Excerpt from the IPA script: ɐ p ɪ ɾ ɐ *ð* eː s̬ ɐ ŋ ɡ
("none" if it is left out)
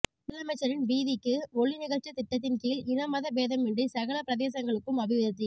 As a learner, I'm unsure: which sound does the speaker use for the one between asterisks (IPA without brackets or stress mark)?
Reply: ð